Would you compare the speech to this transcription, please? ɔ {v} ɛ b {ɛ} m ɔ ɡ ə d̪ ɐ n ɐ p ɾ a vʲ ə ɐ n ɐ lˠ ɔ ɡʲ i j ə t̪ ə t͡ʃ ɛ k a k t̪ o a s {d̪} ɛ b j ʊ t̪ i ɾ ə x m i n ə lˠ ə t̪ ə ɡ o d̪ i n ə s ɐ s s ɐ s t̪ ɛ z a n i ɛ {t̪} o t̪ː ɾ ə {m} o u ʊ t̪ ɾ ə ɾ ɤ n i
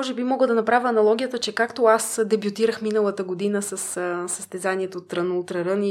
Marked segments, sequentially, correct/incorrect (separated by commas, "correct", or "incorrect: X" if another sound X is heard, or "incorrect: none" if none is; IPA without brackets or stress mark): incorrect: ʒ, incorrect: i, correct, correct, incorrect: n